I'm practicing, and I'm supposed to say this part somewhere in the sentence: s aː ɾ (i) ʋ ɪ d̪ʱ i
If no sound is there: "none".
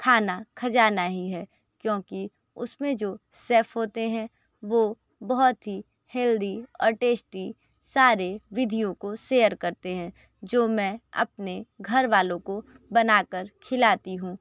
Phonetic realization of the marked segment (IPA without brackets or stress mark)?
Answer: e